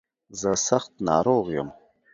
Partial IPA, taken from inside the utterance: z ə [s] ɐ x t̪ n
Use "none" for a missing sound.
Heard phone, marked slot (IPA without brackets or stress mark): s